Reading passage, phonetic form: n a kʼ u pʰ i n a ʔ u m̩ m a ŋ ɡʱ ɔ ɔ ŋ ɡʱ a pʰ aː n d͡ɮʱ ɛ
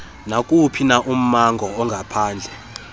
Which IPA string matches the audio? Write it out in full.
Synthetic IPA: n a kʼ u pʰ i n a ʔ u m̩ m a ŋ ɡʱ ɔ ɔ ŋ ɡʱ a pʰ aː n d͡ɮʱ ɛ